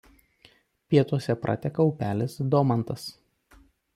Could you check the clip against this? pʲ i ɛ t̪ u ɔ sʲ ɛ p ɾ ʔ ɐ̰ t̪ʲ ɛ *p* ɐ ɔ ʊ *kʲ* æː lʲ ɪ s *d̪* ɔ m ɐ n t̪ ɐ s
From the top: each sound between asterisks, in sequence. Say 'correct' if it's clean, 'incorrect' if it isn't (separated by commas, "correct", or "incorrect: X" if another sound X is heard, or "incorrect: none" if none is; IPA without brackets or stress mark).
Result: incorrect: k, incorrect: pʲ, correct